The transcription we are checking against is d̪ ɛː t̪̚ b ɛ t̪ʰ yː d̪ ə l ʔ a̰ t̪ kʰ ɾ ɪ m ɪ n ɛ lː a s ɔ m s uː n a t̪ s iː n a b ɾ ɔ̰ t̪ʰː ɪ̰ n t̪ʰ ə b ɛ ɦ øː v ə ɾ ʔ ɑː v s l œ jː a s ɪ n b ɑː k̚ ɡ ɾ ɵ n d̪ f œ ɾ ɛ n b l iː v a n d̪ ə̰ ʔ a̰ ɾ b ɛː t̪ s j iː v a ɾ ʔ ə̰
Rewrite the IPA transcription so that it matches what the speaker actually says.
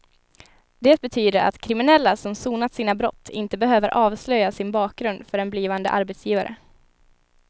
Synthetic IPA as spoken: d̪ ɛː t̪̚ b ɛ t̪ʰ yː d̪ ə ɾ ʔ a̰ t̪ kʰ ɾ ɪ m ɪ n ɛ lː a s ɔ m s uː n a t̪ s iː n a b ɾ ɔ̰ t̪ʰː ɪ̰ n t̪ ə b ɛ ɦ øː v ə ɾ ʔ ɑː v s l œ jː a s ɪ n b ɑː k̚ ɡ ɾ ɵ n d̪ f œ ɾ ɛ n b l iː v a n d̪ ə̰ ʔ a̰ ɾ b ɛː t̪ s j iː v a ɾ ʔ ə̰